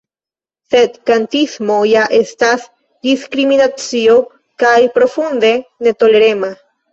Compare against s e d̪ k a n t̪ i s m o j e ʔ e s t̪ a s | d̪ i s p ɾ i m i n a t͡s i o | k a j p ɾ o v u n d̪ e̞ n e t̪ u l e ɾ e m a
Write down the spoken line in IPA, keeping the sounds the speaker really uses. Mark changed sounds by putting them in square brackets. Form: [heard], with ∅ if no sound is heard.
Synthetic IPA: s e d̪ k a n t̪ i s m o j [a] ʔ e s t̪ a s | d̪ i s [k] ɾ i m i n a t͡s i o | k a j p ɾ o [f] u n d̪ e̞ n e t̪ [o] l e ɾ e m a